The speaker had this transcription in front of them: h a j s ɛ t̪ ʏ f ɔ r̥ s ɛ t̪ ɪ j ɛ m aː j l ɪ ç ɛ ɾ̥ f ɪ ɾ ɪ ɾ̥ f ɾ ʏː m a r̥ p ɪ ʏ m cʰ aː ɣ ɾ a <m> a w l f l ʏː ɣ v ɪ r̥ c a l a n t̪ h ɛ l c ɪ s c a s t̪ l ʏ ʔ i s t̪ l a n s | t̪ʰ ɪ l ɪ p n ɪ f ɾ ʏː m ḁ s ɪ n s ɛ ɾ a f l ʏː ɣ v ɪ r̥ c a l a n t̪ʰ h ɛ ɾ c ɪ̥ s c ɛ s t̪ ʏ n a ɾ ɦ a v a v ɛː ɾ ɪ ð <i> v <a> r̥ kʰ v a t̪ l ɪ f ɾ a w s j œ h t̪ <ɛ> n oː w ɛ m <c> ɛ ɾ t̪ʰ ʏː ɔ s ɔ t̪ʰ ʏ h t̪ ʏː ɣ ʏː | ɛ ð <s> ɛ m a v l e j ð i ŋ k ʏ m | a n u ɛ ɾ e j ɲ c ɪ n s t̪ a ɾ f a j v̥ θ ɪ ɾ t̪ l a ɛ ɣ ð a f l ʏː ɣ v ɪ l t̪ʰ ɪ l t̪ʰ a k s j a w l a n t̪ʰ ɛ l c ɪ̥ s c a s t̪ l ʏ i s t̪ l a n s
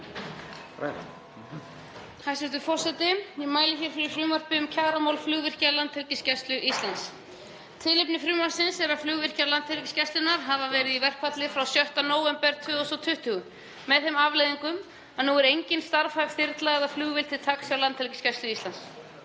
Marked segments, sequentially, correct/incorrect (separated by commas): correct, correct, incorrect, incorrect, incorrect, incorrect